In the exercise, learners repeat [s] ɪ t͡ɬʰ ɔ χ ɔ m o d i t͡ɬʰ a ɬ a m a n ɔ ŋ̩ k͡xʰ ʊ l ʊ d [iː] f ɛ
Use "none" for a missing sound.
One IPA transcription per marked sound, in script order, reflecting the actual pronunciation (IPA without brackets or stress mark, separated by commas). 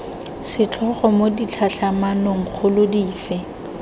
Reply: s, iː